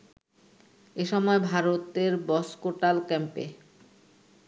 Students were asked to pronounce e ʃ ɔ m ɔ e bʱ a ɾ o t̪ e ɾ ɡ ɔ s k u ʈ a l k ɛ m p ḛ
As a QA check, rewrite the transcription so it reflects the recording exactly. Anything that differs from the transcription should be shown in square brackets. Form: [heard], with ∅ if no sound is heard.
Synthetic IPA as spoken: e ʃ ɔ m ɔ e bʱ a ɾ o t̪ e ɾ [b] ɔ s k [o] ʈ a l k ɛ m p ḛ